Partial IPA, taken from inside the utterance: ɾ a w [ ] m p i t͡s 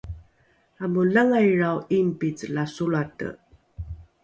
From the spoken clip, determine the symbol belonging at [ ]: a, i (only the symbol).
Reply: i